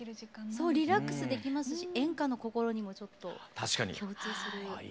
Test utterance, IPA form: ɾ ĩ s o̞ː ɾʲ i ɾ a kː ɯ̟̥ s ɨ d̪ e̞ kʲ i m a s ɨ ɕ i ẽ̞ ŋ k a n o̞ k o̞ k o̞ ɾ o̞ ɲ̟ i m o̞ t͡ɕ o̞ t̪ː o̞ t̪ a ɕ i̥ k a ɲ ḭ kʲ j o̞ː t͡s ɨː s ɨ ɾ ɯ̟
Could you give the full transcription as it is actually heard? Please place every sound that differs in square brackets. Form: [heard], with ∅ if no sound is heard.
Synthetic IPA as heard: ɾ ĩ s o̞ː ɾʲ i ɾ a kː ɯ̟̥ s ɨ d̪ e̞ kʲ i m a s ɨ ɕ i ẽ̞ ŋ k a n o̞ k o̞ k o̞ ɾ o̞ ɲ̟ i m o̞ t͡ɕ o̞ t̪ː o̞ t̪ a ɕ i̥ k a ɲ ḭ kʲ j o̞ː t͡s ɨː s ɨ ɾ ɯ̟